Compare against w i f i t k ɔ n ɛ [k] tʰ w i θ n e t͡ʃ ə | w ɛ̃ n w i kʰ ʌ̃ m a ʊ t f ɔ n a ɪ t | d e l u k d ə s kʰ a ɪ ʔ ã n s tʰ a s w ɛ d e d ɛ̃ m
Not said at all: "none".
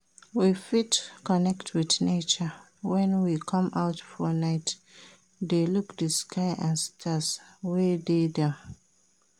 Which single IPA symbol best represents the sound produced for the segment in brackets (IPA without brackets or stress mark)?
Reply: k